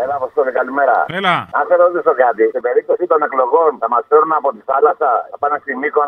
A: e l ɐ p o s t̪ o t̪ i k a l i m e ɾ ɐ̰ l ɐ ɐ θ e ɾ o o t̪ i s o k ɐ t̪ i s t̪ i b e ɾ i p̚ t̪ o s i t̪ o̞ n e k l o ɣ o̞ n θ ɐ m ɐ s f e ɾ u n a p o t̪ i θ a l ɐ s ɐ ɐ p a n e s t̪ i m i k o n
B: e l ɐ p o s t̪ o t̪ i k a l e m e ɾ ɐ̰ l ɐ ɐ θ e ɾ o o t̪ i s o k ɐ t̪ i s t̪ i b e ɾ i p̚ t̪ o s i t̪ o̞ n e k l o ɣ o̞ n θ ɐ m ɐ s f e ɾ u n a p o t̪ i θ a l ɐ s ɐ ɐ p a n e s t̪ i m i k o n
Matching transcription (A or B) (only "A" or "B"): A